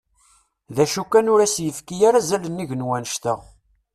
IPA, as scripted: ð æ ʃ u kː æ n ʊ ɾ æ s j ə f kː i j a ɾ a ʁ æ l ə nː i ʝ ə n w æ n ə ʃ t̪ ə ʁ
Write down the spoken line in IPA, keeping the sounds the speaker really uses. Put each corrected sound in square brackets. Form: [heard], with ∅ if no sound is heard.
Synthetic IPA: ð æ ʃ u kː æ n ʊ ɾ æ s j ə f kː i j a ɾ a [z] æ l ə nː i ʝ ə n w æ n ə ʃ t̪ ə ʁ